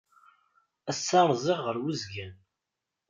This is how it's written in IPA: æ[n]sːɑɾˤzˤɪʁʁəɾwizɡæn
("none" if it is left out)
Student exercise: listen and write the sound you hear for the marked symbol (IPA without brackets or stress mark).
none